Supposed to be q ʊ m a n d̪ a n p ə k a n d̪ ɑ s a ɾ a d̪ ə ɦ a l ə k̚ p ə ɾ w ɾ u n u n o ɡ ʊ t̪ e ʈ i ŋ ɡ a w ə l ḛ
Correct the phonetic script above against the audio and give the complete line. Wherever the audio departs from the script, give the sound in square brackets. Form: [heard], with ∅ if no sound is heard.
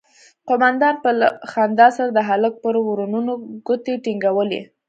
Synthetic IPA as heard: q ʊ m a n d̪ [ɑ] n p ə [x] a n d̪ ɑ s a ɾ a d̪ ə ɦ a l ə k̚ p ə ɾ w ɾ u n u n o ɡ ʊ t̪ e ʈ i ŋ ɡ a w ə l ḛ